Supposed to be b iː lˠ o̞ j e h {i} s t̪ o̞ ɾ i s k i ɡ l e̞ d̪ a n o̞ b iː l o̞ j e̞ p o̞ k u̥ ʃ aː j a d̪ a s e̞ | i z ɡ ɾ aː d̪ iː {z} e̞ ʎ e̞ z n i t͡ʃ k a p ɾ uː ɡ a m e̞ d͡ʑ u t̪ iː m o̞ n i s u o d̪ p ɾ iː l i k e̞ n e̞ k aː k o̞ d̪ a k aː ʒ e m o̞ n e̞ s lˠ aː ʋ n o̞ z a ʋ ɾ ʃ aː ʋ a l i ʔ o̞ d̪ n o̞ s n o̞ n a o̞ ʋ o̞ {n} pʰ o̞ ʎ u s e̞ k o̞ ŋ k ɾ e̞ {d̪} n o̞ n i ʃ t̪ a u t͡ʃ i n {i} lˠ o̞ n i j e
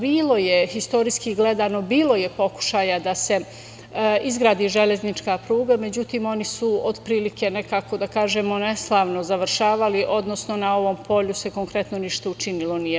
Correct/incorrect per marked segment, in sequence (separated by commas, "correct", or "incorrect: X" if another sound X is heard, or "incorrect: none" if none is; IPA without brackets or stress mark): correct, incorrect: ʒ, incorrect: m, incorrect: t̪, correct